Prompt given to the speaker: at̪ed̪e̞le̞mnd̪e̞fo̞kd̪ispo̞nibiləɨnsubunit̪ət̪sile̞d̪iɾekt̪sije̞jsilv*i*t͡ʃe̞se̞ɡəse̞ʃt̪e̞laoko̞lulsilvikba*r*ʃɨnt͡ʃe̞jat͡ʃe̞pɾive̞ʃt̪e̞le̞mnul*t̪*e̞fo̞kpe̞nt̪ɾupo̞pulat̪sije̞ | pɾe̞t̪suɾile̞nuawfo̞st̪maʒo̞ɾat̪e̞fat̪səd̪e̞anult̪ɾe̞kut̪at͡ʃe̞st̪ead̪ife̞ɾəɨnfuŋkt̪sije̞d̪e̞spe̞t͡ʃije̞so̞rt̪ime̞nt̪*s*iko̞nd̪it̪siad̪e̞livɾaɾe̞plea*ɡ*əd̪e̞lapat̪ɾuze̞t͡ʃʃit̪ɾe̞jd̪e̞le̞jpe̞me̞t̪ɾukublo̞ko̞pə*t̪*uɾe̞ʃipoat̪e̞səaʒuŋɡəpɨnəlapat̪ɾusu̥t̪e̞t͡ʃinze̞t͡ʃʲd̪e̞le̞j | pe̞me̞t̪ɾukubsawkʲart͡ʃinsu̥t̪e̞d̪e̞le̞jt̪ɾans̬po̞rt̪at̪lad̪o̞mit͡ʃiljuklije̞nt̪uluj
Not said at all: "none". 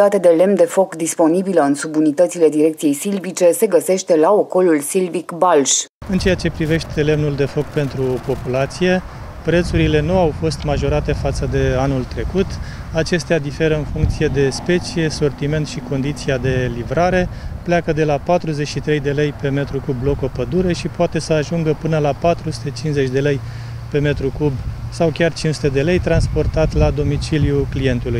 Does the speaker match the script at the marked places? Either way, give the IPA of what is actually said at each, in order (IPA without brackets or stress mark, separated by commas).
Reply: i, l, d̪, ʃ, k, d̪